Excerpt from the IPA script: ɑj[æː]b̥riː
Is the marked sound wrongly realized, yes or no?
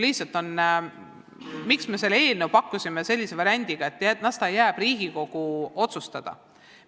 no